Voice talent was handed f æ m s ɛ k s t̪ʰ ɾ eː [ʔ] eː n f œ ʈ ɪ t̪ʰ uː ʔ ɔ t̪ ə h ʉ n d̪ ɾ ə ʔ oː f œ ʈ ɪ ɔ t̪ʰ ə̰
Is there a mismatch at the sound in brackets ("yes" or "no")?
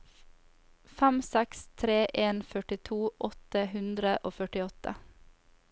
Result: no